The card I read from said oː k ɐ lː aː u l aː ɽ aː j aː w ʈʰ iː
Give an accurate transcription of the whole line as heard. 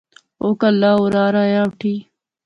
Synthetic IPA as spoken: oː k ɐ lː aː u ɾ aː ɾ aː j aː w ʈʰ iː